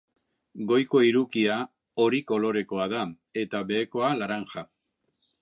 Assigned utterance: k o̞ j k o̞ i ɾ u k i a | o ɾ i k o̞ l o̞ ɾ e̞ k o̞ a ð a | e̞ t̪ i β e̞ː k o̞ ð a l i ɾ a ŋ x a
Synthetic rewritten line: ɡ o̞ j k o̞ i ɾ u k i a | o ɾ i k o̞ l o̞ ɾ e̞ k o̞ a ð a | e̞ t̪ a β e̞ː k o̞ a l a ɾ a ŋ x a